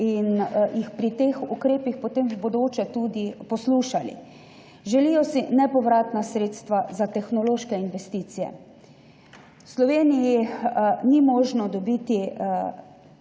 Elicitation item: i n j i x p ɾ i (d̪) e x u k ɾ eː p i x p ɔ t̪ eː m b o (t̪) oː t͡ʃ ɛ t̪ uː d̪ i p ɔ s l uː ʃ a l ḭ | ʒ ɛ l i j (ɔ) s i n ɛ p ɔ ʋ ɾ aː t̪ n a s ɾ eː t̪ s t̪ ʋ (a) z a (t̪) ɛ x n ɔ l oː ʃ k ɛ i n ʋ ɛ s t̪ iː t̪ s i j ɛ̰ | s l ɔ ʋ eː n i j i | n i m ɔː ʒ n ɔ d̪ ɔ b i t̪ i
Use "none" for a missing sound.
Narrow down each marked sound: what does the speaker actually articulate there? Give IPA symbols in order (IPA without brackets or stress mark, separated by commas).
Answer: t̪, d̪, ɔ, a, t̪